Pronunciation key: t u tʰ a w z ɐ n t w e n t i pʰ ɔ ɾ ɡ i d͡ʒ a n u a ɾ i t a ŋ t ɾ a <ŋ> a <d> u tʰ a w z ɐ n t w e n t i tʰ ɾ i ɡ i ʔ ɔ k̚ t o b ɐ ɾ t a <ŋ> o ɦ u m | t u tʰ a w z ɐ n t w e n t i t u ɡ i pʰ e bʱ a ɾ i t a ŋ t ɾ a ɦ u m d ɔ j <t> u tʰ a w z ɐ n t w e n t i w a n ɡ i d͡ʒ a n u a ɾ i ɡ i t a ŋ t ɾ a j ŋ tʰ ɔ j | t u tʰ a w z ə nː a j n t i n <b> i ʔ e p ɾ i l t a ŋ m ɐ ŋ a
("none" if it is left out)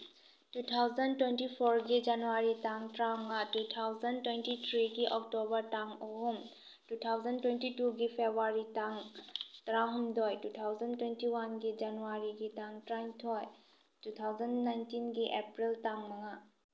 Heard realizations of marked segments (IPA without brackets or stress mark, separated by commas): ŋ, t, ŋ, t, ɡ